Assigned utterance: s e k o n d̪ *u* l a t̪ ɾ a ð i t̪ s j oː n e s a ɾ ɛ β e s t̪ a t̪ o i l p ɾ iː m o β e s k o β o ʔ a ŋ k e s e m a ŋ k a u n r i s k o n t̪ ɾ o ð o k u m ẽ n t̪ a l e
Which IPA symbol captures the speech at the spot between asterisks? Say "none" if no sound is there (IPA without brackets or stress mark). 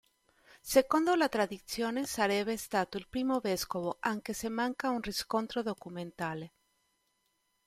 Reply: o